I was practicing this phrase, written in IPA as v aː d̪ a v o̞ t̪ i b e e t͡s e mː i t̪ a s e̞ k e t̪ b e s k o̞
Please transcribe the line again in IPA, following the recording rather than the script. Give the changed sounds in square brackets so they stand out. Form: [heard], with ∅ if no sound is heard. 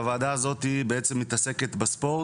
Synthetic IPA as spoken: v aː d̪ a [z] o̞ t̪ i b e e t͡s e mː i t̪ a s e̞ k e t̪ b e s [p] o̞